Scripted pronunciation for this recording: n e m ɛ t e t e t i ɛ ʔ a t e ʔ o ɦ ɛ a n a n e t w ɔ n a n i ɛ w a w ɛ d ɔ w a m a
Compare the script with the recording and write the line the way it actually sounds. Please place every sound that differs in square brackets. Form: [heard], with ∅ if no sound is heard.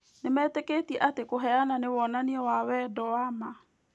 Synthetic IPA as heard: n e m ɛ t e [k] e t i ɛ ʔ a t e [k] o ɦ ɛ a n a n e [∅] w ɔ n a n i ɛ w a w ɛ d ɔ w a m a

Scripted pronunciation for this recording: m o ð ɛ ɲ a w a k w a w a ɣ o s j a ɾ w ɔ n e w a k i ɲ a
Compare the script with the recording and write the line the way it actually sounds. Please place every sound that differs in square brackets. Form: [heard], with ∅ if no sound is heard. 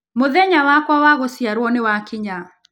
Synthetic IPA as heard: m o ð ɛ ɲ a w a k w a w a ɣ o s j a ɾ w ɔ n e w a k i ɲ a

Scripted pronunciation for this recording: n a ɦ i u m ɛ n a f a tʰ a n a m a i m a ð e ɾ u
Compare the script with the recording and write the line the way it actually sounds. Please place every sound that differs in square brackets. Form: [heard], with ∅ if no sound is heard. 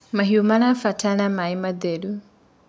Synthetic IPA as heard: [m] a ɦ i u m [a] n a f a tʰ a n a m a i m a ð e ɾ u

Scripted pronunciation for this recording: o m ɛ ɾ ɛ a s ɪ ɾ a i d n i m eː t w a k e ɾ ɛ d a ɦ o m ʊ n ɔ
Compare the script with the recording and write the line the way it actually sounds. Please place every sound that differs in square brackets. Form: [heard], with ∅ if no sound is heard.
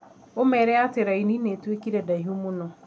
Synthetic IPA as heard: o m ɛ ɾ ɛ a [t] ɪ ɾ a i [∅] n i [n] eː t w [e] k [i] ɾ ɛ d a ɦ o m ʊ n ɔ

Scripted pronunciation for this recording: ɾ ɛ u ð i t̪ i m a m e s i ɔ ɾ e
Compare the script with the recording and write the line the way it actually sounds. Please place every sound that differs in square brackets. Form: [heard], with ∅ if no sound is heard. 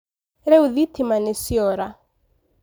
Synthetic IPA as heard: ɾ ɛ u ð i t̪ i m a [n] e s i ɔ ɾ [a]

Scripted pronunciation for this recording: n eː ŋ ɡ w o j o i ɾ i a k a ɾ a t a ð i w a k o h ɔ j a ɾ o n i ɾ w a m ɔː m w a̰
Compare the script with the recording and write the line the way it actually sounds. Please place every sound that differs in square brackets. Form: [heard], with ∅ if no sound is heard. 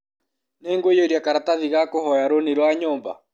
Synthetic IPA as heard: n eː ŋ ɡ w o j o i ɾ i a k a ɾ a t a ð i [ɣ] a k o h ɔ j a ɾ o n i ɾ w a [ɲ] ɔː m [b] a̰

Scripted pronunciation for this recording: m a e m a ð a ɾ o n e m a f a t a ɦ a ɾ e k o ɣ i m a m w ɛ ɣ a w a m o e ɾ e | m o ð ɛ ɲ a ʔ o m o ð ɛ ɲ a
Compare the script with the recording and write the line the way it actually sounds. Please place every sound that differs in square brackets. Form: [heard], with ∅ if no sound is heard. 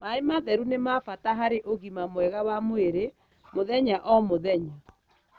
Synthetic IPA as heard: m a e m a ð [ɛ] ɾ [u] n e m a f a t a ɦ a ɾ e [ʔ] o ɣ i m a m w ɛ ɣ a w a m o e ɾ e | m o ð ɛ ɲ a ʔ [ɔ] m o ð ɛ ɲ a

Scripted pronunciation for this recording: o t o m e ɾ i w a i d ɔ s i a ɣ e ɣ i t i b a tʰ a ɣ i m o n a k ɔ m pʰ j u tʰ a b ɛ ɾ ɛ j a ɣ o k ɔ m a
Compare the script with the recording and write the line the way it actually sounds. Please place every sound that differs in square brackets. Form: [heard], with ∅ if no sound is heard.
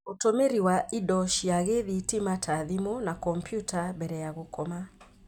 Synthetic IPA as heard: o t o m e ɾ i w a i d ɔ [ʃ] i a ɣ e [ð] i t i [m] a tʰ a [ð] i m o n a k ɔ m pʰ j u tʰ a b ɛ ɾ ɛ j a ɣ o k ɔ m a

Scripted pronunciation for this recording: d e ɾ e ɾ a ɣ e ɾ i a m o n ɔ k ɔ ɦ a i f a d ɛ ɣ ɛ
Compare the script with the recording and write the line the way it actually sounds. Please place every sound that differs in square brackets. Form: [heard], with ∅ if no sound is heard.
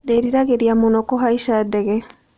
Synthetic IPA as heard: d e ɾ [i] ɾ a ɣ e ɾ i a m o n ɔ k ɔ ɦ a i [ʃ] a d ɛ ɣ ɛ

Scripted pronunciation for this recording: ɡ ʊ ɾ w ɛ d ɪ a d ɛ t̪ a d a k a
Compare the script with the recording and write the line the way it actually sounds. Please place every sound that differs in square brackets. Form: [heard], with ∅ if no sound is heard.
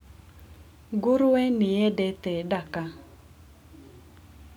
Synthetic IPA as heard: ɡ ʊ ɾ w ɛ [n] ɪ [ɛ] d ɛ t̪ [ɛ] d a k a

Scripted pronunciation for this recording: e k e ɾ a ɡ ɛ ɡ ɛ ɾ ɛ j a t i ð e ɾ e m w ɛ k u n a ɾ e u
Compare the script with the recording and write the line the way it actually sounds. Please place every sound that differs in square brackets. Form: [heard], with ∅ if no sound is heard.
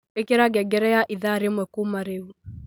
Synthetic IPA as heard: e k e ɾ a ɡ ɛ ɡ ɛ ɾ ɛ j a [ʔ] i ð [a] ɾ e m w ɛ k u [m] a ɾ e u

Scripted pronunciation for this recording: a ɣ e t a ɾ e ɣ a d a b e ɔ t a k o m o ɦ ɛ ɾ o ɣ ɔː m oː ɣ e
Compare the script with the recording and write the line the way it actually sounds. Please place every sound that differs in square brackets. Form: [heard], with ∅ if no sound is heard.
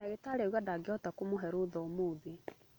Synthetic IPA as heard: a ɣ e t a ɾ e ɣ a d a [ɡ] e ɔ t a k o m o ɦ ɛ ɾ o [ð] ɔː m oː [ð] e

